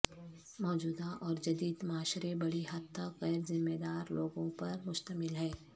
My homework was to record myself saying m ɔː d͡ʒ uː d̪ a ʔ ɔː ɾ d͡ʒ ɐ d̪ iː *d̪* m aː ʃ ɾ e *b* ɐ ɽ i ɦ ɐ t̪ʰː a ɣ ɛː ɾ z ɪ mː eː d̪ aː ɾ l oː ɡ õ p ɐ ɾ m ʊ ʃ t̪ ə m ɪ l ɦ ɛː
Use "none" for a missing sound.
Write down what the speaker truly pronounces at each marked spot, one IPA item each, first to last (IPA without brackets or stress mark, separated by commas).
d̪, b